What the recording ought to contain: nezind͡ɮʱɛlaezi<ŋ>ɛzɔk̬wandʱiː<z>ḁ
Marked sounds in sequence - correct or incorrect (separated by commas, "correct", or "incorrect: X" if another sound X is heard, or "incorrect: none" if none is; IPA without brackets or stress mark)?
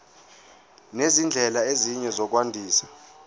incorrect: ɲ, incorrect: s